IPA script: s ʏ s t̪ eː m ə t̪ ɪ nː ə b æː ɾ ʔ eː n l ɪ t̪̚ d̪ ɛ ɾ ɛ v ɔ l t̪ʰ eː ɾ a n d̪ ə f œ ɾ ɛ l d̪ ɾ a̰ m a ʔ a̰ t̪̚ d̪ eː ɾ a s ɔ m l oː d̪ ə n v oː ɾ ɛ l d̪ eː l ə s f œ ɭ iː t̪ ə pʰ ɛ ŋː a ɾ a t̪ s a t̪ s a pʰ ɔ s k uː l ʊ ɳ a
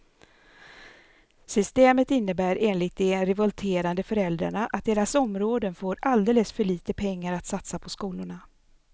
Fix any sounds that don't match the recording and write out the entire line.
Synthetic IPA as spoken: s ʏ s t̪ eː m ə t̪ ɪ nː ə b æː ɾ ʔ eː n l ɪ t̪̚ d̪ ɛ ɾ ɛ v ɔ l t̪ʰ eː ɾ a n d̪ ə f œ ɾ ɛ l d̪ ɾ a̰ ɳ a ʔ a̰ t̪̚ d̪ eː ɾ a s ɔ m ɾ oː d̪ ə n f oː ɾ a l d̪ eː l ə s f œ ɭ iː t̪ ə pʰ ɛ ŋː a ɾ a t̪ s a t̪ s a pʰ ɔ s k uː l ʊ ɳ a